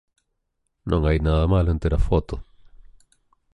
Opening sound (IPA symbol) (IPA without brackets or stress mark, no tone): n